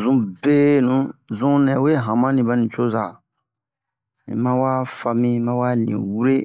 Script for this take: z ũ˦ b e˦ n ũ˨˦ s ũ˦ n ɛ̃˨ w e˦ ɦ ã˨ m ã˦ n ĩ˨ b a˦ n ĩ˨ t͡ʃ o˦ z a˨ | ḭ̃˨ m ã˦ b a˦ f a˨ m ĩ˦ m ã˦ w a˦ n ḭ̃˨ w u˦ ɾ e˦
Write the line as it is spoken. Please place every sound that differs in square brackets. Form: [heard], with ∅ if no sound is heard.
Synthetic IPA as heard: z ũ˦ b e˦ n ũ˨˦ [z] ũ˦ n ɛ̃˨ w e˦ ɦ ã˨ m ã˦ n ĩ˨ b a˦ n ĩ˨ t͡ʃ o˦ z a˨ | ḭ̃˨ m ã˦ [w] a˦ f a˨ m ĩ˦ m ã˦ w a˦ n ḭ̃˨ w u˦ ɾ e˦